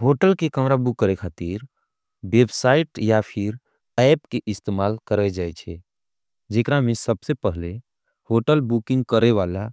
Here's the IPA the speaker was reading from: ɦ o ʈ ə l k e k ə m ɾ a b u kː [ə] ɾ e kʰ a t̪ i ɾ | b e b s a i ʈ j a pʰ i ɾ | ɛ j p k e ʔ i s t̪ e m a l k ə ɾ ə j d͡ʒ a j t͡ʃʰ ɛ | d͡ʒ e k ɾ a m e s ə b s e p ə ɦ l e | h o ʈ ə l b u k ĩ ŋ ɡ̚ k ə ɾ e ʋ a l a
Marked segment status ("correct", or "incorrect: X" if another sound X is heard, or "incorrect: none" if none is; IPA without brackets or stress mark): correct